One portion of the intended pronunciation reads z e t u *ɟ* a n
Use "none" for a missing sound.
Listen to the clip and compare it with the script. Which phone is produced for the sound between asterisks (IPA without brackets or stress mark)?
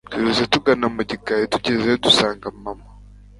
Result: ɡ